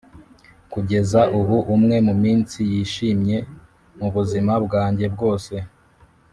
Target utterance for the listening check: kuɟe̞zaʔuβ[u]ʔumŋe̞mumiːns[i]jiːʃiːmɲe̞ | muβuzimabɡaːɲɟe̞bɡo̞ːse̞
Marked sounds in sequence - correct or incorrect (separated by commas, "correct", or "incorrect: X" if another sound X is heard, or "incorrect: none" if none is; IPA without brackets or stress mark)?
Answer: correct, correct